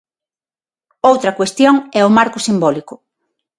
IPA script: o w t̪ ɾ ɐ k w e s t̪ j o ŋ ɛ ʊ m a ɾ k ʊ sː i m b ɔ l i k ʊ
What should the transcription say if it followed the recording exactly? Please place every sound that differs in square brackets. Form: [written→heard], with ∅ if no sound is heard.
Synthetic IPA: o w t̪ ɾ ɐ k w e s t̪ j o ŋ ɛ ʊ m a ɾ k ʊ [sː→s] i m b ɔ l i k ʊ